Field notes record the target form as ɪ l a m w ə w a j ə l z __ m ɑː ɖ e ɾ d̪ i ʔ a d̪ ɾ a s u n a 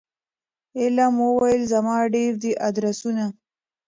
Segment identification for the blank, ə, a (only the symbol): a